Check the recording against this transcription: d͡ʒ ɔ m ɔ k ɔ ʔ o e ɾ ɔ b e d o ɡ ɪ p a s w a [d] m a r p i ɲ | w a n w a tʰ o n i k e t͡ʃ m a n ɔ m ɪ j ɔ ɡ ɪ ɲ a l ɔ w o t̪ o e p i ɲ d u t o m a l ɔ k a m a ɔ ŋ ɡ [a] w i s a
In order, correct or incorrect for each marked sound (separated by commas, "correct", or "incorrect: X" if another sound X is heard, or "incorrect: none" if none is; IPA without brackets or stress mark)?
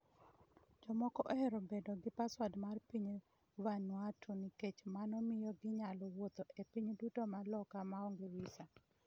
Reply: correct, incorrect: e